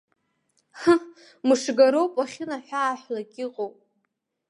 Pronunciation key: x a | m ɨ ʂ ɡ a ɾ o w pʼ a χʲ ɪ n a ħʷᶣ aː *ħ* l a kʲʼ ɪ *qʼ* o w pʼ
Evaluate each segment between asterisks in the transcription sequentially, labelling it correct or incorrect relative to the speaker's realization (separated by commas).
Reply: correct, correct